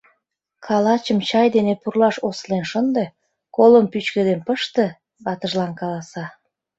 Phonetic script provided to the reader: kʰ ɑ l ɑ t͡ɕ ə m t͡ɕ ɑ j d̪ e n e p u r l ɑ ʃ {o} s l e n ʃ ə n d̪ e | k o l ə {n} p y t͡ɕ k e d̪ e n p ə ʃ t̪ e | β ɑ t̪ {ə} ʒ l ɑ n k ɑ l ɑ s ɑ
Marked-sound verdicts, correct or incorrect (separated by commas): correct, incorrect, correct